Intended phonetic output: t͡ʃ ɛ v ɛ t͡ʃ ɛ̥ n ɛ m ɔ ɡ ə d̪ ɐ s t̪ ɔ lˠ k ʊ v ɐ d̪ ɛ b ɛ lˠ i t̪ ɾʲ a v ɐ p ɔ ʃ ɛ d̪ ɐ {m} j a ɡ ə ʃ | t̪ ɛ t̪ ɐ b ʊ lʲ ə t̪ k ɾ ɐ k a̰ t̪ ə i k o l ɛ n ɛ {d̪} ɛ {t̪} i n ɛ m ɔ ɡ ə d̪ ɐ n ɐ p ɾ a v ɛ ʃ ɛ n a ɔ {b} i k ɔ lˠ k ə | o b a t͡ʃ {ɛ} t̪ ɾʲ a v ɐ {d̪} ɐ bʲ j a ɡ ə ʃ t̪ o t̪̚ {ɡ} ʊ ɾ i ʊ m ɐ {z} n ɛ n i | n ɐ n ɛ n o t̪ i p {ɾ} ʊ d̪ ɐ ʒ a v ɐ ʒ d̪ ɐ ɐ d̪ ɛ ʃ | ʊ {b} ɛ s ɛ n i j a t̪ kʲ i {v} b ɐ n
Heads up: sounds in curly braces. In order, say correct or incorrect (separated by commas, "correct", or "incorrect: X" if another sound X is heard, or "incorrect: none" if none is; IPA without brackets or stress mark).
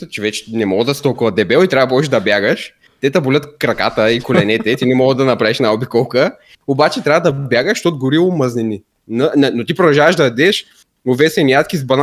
incorrect: b, incorrect: t̪, correct, correct, correct, correct, correct, correct, correct, incorrect: v, incorrect: z